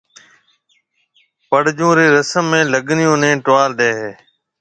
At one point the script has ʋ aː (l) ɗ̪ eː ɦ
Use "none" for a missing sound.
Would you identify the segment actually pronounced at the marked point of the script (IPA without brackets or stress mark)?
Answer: l